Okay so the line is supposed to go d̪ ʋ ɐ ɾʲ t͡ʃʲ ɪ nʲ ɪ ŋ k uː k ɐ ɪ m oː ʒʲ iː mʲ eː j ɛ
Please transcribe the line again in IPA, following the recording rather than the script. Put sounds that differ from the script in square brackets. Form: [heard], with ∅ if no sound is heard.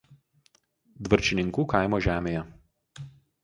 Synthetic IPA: d̪ ʋ ɐ ɾʲ t͡ʃʲ ɪ nʲ ɪ ŋ k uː k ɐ ɪ m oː ʒʲ [æː] mʲ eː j ɛ

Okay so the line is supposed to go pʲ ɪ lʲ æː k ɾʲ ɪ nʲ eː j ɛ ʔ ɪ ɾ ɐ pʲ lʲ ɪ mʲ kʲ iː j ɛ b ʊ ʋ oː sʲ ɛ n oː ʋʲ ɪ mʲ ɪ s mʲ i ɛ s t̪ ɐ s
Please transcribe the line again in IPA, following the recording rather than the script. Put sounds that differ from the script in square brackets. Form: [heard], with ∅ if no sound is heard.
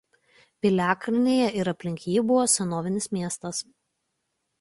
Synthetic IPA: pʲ ɪ lʲ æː k ɾʲ ɪ nʲ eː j ɛ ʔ ɪ ɾ ɐ pʲ lʲ ɪ [ŋʲ] kʲ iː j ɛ b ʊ ʋ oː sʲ ɛ n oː ʋʲ ɪ [nʲ] ɪ s mʲ i ɛ s t̪ ɐ s

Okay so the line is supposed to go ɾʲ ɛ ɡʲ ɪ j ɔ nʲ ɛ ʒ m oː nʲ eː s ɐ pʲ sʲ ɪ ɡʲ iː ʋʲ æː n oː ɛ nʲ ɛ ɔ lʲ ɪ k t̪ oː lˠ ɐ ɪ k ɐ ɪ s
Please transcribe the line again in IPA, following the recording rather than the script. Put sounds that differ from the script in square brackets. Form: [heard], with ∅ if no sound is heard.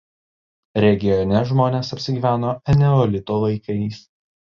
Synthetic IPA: ɾʲ ɛ ɡʲ ɪ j ɔ nʲ ɛ ʒ m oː nʲ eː s ɐ pʲ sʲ ɪ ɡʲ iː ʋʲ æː n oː ɛ nʲ ɛ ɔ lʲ ɪ [∅] t̪ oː lˠ ɐ ɪ k ɐ ɪ s

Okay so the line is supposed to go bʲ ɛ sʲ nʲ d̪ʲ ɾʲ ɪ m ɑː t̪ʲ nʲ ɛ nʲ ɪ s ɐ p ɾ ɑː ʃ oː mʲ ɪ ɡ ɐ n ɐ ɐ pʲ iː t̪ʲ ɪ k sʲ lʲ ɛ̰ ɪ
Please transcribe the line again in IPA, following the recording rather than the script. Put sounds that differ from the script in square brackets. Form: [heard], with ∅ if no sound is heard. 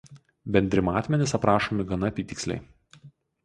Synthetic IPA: bʲ ɛ [∅] nʲ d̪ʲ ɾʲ ɪ m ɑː t̪ʲ [mʲ] ɛ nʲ ɪ s ɐ p ɾ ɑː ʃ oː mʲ ɪ ɡ ɐ n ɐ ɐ pʲ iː t̪ʲ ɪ k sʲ lʲ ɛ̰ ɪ

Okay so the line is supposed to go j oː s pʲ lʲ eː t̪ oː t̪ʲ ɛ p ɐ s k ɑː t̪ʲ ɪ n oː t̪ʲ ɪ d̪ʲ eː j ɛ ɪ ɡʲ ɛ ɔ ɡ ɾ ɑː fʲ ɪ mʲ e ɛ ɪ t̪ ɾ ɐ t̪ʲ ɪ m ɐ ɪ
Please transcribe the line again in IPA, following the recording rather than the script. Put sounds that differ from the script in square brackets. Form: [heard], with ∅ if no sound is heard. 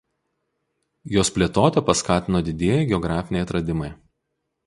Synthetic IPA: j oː s pʲ lʲ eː t̪ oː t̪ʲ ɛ p ɐ s k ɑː t̪ʲ ɪ n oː [d̪ʲ] ɪ d̪ʲ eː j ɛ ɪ ɡʲ ɛ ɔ ɡ ɾ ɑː fʲ ɪ [nʲ] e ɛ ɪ t̪ ɾ ɐ [d̪ʲ] ɪ m ɐ ɪ

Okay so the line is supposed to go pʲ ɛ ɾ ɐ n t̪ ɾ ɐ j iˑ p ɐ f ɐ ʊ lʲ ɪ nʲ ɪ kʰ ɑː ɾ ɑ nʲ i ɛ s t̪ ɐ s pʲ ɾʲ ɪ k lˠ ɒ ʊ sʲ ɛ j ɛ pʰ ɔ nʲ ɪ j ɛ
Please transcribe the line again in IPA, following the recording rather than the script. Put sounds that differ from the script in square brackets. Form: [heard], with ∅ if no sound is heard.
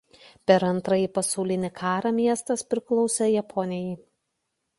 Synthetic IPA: pʲ ɛ ɾ ɐ n t̪ ɾ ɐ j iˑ p ɐ [s] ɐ ʊ lʲ ɪ nʲ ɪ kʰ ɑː ɾ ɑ [mʲ] i ɛ s t̪ ɐ s pʲ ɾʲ ɪ k lˠ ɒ ʊ sʲ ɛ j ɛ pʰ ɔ nʲ ɪ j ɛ

